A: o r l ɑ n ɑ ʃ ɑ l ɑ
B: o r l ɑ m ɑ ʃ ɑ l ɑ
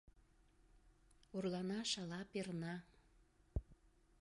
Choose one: A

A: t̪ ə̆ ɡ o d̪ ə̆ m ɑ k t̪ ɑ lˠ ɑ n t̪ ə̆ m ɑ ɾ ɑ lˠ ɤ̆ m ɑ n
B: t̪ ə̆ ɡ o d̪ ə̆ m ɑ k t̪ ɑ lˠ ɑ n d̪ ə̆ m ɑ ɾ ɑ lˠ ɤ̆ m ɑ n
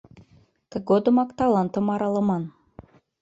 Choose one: A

